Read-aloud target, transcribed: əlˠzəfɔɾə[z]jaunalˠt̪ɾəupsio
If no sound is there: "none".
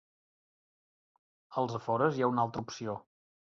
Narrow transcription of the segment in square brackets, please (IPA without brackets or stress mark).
z